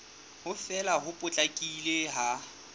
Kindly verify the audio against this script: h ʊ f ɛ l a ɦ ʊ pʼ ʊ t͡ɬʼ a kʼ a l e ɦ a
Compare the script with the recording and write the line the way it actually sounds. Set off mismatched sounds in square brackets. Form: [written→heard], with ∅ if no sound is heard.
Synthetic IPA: h ʊ f ɛ l a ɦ ʊ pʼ ʊ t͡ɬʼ a kʼ [a→i] l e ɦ a